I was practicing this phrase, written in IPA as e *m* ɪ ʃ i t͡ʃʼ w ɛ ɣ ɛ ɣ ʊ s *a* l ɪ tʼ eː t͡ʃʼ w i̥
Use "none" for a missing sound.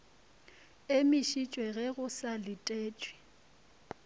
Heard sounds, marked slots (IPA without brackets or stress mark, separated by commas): m, a